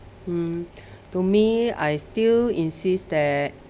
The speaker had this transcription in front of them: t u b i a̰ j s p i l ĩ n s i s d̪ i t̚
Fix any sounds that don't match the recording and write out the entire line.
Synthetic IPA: t u m i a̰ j s t i l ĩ n s i s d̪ ɛ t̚